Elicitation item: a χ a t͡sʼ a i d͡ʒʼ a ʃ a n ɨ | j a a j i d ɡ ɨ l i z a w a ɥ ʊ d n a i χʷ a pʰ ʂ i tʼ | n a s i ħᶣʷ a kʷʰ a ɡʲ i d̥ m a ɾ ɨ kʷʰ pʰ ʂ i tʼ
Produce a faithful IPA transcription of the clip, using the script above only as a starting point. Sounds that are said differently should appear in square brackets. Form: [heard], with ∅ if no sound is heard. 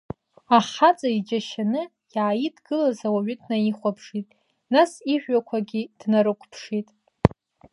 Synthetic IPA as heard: a χ a t͡sʼ a i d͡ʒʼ a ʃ a n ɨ | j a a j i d ɡ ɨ l [a] z a w a ɥ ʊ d n a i χʷ a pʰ ʂ i tʼ | n a s i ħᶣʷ a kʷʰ a ɡʲ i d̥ [n] a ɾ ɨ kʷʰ pʰ ʂ i tʼ